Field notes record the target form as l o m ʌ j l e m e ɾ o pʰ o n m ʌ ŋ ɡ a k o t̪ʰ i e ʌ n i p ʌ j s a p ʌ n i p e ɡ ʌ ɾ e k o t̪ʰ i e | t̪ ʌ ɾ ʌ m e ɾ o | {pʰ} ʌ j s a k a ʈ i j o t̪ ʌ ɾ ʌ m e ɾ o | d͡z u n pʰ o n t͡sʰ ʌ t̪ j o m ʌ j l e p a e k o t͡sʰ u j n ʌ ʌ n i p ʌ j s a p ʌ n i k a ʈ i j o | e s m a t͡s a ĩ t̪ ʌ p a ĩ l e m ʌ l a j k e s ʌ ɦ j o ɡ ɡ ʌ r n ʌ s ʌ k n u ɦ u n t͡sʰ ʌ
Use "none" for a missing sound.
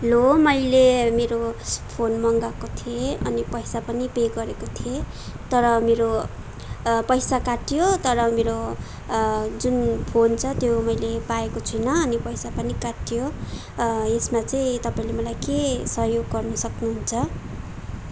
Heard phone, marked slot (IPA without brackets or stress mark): p